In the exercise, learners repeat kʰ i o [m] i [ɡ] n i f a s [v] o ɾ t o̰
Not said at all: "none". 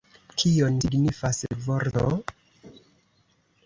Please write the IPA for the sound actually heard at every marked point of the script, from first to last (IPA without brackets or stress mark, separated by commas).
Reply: n, ɡ, v